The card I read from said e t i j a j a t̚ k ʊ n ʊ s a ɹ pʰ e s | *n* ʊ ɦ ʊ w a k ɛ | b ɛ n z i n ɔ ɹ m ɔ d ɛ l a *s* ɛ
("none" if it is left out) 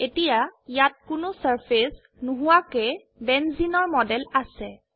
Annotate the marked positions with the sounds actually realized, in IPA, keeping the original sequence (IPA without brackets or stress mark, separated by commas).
n, s